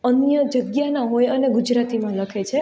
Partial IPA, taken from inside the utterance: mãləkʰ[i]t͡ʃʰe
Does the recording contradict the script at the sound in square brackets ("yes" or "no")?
yes